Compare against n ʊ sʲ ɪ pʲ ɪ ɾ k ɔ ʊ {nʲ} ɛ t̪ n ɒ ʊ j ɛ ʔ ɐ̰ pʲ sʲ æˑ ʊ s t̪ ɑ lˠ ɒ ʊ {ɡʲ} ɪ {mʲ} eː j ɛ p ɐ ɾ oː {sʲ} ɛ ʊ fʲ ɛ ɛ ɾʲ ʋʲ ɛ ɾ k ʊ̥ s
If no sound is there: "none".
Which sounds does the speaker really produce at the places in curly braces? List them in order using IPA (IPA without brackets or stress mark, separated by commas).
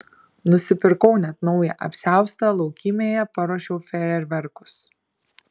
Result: nʲ, kʲ, mʲ, ʃʲ